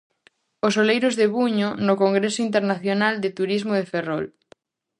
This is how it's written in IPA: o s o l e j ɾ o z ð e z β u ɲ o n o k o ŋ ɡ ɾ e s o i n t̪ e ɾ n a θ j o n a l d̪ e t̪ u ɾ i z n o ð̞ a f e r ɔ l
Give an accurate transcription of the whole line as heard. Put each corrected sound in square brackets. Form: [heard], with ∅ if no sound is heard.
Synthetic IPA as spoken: o s o l e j ɾ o z ð e [∅] β u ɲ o n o k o ŋ ɡ ɾ e s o i n t̪ e ɾ n a θ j o n a l d̪ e t̪ u ɾ i z [m] o ð̞ [e] f e r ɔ l